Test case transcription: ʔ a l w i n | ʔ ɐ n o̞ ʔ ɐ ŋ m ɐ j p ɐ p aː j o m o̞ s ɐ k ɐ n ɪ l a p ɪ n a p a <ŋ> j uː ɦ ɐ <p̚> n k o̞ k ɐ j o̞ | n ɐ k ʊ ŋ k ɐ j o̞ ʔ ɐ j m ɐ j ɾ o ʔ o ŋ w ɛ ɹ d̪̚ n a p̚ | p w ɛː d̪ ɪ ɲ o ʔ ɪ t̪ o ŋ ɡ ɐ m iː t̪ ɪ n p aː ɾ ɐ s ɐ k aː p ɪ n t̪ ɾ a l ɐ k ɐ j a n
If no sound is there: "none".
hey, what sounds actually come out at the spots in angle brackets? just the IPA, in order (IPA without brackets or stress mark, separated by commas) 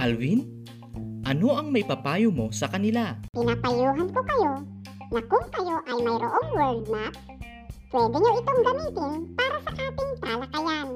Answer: none, none